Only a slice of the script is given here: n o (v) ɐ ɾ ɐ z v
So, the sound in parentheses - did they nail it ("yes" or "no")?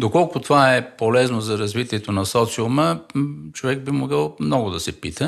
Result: no